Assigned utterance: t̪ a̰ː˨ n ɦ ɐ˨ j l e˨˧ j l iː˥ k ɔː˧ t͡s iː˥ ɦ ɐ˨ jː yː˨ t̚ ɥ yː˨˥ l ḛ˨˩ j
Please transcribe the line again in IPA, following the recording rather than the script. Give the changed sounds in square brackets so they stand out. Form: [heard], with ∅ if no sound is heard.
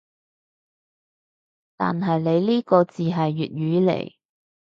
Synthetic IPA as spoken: t̪ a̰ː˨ n ɦ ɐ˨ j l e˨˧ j l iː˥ k ɔː˧ t͡s [iː˨] ɦ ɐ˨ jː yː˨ t̚ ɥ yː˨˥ l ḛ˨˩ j